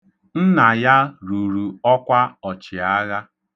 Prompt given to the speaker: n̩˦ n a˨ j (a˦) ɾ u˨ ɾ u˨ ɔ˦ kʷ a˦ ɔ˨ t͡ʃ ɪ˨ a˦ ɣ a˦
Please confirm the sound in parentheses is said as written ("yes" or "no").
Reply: yes